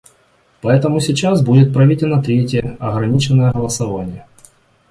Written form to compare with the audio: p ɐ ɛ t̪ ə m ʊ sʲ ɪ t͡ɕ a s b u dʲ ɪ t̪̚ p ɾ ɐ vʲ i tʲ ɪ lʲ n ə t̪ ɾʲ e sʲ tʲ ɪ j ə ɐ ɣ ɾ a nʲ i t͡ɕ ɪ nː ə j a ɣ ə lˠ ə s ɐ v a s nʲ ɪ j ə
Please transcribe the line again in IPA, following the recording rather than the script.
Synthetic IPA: p ɐ ɛ t̪ ə m ʊ sʲ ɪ t͡ɕ a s b u dʲ ɪ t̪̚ p ɾ ɐ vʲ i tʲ ɪ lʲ n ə t̪ ɾʲ e tʲ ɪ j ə ɐ ɣ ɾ ɐ nʲ i t͡ɕ ɪ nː ə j ə ɣ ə lˠ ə s ɐ v a nʲ ɪ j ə